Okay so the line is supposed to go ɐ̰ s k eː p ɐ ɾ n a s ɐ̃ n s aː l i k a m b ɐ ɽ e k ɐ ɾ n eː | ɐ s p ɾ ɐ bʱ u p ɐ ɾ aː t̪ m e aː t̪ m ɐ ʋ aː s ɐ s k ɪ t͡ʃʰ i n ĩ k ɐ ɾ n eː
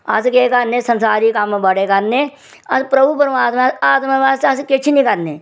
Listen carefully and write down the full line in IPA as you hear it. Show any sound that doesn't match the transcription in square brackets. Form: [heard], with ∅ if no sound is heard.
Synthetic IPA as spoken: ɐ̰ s k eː [k] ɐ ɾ n [e] s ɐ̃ n s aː [ɾ] i k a m b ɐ ɽ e k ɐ ɾ n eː | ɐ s p ɾ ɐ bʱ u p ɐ ɾ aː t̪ m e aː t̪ m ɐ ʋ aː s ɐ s k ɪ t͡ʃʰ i n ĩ k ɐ ɾ n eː